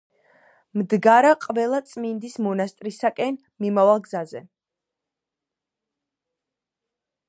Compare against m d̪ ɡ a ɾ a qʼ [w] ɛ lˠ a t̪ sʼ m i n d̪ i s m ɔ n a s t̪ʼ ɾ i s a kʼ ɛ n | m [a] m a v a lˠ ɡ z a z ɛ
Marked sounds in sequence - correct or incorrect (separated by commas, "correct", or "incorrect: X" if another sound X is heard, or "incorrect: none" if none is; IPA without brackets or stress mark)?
incorrect: v, incorrect: i